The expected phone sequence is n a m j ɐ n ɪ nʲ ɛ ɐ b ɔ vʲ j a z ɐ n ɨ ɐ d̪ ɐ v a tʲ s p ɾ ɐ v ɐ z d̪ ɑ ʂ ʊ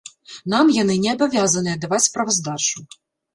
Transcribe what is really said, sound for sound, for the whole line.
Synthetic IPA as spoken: n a m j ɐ n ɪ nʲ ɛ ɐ b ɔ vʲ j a z ɐ n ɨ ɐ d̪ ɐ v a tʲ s p ɾ ɐ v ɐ z d̪ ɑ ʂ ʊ